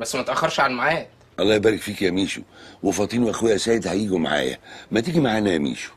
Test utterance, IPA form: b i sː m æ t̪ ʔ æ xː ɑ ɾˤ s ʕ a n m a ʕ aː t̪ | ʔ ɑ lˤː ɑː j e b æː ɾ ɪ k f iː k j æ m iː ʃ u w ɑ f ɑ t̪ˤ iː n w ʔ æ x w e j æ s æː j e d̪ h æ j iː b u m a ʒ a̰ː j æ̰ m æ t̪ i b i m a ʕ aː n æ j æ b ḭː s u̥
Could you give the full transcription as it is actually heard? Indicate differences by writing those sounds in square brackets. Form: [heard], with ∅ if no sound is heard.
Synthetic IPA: b [æ] sː m æ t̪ ʔ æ xː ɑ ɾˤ [ʃ] ʕ a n m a ʕ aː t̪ | ʔ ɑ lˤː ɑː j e b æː ɾ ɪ k f iː k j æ m iː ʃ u w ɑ f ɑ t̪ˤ iː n w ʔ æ x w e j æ s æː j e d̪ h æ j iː [ɡ] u m a [ʕ] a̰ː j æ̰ m æ t̪ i [ɡ] i m a ʕ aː n æ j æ [m] ḭː [ʃ] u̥